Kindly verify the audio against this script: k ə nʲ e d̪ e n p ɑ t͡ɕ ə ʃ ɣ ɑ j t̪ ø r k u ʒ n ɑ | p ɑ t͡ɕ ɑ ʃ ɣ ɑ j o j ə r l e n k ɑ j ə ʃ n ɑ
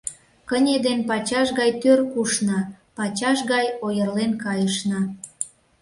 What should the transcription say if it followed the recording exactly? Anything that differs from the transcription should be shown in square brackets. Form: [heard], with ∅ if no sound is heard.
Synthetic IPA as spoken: k ə nʲ e d̪ e n p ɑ t͡ɕ [ɑ] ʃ ɣ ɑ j t̪ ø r k u [ʃ] n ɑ | p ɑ t͡ɕ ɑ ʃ ɣ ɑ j o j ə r l e n k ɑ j ə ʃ n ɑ